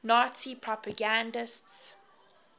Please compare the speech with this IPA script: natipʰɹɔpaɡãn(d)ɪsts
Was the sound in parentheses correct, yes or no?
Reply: yes